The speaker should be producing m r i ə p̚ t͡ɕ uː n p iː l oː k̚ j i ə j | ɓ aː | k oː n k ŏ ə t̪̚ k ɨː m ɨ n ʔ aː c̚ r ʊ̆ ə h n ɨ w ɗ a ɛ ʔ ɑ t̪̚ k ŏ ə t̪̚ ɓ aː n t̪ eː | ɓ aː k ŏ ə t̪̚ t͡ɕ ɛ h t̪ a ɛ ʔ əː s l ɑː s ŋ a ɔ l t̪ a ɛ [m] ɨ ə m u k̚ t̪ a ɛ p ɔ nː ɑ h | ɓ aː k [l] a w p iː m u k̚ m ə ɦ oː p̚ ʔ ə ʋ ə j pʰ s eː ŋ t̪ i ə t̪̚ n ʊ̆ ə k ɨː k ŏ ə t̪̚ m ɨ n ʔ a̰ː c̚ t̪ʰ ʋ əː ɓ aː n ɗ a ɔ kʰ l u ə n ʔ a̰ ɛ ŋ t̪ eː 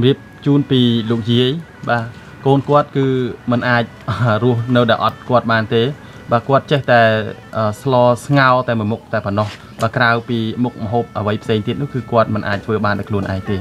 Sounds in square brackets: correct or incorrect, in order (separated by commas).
correct, incorrect